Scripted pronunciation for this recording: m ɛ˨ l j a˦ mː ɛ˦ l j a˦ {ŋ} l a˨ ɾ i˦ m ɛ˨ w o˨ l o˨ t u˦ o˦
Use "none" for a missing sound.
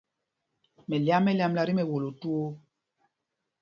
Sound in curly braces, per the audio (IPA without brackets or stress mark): m